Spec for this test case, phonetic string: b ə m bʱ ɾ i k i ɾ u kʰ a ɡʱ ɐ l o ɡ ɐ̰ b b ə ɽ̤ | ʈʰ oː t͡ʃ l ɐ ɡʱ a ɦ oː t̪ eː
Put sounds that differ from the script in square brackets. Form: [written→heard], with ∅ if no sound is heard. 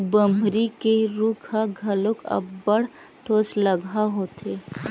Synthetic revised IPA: b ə m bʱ ɾ i k [i→e] ɾ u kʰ a ɡʱ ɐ l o [ɡ→k] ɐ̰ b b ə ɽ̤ | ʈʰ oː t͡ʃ l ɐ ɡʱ a ɦ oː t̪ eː